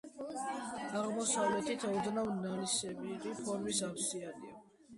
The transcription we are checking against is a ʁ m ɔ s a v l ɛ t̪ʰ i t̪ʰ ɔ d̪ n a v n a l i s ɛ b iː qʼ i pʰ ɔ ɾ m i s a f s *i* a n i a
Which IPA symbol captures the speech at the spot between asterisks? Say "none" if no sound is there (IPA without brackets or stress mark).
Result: i